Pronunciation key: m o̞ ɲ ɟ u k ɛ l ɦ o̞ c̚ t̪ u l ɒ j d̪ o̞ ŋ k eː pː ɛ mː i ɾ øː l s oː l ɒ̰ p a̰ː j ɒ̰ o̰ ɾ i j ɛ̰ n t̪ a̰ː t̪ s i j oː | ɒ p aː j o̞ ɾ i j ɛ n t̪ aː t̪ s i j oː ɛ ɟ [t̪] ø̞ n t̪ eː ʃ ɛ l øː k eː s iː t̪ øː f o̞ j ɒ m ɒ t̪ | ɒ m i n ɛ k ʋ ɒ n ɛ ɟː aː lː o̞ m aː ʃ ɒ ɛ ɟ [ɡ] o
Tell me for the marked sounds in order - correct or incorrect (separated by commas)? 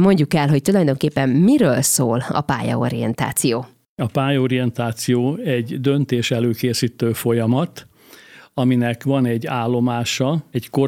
incorrect, incorrect